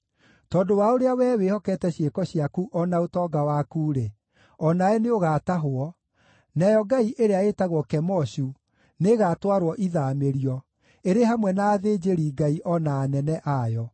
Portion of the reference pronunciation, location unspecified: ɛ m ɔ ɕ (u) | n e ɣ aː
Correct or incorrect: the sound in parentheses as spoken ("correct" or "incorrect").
correct